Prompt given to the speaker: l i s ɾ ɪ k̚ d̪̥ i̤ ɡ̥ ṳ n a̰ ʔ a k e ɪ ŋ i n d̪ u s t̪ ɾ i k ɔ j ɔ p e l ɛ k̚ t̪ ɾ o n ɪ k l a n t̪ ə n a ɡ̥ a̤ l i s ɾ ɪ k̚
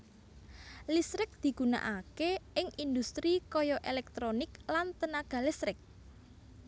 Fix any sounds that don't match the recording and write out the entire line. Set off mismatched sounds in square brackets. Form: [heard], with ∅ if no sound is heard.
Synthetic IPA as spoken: l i s ɾ ɪ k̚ d̪̥ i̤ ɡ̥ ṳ n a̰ ʔ a k e ɪ ŋ i n d̪ u s t̪ ɾ i k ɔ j ɔ [ʔ] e l ɛ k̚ t̪ ɾ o n ɪ k l a n t̪ ə n a ɡ̥ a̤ l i s ɾ ɪ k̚